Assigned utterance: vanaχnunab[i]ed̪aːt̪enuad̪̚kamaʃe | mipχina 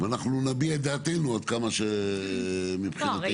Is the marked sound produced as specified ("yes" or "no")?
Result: yes